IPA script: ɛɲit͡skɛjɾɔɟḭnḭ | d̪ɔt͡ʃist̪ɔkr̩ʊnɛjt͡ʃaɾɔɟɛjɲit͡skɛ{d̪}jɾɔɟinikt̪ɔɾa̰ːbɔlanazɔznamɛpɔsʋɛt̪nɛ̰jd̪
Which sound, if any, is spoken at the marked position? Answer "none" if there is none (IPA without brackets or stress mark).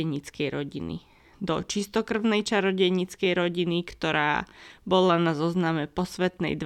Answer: none